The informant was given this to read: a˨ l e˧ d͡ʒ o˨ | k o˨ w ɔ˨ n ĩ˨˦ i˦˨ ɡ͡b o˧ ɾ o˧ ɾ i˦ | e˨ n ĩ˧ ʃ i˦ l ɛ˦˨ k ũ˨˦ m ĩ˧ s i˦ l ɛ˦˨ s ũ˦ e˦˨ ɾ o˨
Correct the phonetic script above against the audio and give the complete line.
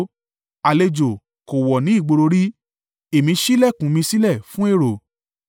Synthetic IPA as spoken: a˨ l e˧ d͡ʒ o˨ | k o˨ w ɔ˨ n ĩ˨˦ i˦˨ ɡ͡b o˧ ɾ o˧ ɾ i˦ | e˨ m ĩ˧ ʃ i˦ l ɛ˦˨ k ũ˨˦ m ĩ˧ s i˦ l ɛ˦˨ f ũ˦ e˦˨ ɾ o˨